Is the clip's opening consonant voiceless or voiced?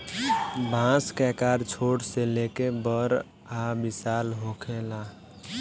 voiced